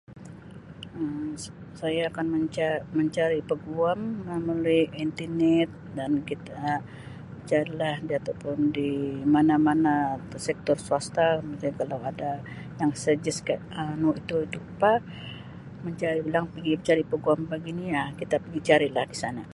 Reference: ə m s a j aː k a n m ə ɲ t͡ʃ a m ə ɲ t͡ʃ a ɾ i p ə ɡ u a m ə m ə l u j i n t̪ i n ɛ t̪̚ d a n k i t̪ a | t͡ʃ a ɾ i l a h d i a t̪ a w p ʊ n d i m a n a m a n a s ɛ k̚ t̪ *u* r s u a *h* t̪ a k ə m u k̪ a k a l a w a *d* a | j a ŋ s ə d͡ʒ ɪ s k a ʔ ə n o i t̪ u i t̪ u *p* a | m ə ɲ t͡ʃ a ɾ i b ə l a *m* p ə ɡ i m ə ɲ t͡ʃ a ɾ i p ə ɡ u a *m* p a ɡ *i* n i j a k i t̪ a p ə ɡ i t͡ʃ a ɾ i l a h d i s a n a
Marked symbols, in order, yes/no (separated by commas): no, no, yes, yes, no, yes, yes